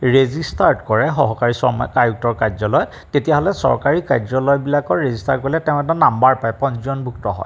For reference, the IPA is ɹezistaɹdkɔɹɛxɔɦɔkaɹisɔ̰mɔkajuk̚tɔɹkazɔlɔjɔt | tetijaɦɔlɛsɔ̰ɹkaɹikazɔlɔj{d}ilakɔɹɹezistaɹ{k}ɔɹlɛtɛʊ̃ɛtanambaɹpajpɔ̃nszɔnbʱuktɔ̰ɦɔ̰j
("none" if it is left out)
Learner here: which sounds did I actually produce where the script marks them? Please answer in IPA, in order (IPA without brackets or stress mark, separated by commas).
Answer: b, k